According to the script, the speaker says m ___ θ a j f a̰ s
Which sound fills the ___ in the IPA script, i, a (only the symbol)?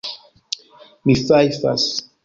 i